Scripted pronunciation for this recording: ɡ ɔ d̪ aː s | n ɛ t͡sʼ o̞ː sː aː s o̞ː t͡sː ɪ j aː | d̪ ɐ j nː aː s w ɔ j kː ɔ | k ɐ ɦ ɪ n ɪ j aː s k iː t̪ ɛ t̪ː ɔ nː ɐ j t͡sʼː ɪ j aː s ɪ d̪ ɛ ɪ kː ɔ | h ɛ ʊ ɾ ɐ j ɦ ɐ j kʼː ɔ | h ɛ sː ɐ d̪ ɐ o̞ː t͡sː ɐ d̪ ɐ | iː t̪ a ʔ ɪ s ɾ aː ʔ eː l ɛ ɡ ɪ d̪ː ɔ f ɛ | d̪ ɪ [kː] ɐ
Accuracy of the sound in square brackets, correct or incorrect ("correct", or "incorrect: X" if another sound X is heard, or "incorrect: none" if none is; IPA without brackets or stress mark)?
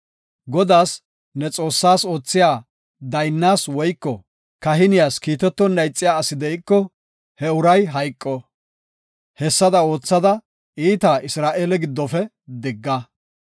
incorrect: ɡː